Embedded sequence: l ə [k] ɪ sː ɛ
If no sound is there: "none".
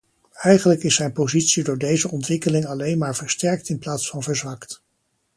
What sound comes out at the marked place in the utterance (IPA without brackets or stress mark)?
k